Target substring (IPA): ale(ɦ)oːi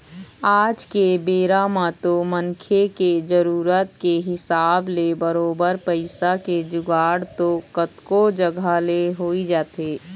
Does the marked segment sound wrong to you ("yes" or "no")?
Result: no